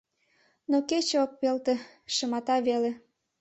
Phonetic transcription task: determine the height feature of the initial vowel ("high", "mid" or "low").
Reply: mid